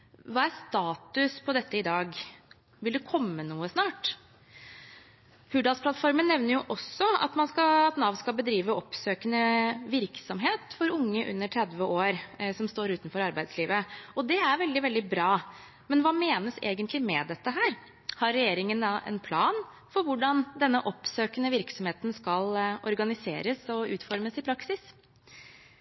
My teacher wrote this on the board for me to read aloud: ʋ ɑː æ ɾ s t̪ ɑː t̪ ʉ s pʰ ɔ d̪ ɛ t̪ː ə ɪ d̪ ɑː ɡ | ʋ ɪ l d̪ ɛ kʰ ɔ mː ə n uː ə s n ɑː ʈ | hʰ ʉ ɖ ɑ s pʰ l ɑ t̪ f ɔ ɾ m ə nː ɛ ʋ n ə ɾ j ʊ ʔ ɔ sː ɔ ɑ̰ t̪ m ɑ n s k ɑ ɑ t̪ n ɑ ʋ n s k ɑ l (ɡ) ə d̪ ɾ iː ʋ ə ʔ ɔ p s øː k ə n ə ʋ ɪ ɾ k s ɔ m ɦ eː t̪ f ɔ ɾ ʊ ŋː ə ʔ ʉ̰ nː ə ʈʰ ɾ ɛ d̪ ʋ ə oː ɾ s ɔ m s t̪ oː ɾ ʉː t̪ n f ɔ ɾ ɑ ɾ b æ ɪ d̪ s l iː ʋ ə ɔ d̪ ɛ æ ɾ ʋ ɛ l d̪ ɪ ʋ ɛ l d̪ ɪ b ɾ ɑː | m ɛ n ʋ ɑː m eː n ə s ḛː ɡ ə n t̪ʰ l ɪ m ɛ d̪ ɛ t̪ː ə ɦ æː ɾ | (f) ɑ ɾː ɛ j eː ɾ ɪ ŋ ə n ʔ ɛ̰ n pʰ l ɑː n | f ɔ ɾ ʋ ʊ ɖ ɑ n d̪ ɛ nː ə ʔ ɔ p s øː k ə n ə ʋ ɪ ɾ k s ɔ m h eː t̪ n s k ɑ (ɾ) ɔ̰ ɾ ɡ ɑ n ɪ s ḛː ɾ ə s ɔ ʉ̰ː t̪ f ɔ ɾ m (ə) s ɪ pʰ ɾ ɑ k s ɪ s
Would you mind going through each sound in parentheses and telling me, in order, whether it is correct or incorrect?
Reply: incorrect: b, incorrect: h, incorrect: l, correct

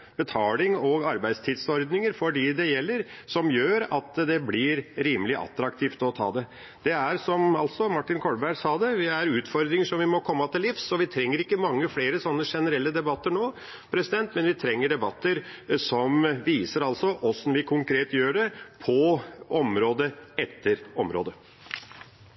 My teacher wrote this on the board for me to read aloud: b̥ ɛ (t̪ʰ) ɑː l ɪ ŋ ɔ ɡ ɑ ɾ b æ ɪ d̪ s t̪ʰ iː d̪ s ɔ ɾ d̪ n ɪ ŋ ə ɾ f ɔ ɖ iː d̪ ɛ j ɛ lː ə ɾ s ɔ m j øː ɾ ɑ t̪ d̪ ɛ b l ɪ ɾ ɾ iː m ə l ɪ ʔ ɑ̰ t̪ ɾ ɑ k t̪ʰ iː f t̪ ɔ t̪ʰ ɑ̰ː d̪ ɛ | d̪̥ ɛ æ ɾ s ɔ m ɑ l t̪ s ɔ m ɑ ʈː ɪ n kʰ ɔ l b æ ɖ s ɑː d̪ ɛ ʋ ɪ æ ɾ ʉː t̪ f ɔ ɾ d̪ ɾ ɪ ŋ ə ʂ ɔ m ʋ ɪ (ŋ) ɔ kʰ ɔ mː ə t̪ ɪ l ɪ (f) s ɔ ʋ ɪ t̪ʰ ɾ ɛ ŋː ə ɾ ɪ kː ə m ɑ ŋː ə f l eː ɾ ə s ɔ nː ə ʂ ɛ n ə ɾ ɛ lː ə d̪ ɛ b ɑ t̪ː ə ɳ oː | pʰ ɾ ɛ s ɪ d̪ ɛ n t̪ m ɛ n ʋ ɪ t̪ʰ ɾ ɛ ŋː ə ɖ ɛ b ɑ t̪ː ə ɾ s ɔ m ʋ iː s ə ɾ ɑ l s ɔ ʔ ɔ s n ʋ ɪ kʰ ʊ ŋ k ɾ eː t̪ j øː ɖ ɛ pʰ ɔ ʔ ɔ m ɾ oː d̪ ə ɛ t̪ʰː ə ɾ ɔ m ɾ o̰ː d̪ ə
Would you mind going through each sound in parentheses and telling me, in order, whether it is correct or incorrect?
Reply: correct, incorrect: m, correct

